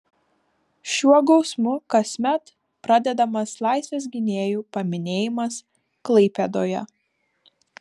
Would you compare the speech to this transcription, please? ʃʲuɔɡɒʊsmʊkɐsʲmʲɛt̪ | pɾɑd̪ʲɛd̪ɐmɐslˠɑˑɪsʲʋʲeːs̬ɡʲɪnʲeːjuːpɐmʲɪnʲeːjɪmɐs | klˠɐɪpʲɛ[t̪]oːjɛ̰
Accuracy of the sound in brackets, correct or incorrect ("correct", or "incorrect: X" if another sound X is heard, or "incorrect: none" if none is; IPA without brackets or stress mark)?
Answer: incorrect: d̪